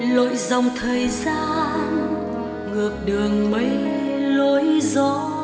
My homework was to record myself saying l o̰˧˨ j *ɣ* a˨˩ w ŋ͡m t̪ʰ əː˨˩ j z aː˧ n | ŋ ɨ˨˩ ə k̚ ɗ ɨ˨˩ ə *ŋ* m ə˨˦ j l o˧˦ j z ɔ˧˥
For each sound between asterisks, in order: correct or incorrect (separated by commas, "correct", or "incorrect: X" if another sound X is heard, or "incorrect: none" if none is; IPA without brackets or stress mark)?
incorrect: z, correct